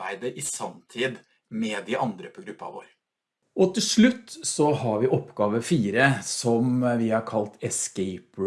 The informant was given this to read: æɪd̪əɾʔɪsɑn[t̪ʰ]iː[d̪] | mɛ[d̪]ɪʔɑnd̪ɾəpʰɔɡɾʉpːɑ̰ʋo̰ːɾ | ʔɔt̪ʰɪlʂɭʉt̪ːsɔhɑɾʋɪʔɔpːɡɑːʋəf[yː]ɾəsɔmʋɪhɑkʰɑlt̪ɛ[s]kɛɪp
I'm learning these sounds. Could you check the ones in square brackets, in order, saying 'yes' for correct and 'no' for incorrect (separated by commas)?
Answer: yes, yes, yes, no, yes